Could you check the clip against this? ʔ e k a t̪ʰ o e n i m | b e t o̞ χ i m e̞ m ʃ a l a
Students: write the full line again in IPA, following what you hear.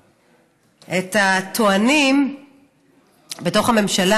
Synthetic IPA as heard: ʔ e t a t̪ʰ o a n i m | b e t o̞ χ a m e̞ m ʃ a l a